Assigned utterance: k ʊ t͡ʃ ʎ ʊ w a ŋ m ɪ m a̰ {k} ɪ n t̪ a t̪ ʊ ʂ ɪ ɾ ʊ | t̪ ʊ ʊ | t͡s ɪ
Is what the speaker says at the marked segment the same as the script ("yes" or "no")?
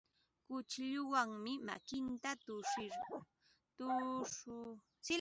yes